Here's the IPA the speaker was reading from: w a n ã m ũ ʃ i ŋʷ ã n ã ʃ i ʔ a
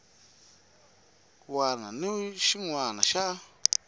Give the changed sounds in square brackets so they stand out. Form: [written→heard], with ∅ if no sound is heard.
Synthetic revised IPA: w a n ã [m→n] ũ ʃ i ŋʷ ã n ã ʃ [i→a] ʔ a